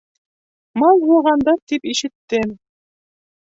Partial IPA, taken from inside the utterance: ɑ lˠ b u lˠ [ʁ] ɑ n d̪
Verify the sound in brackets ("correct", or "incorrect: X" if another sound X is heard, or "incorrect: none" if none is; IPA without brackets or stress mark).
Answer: correct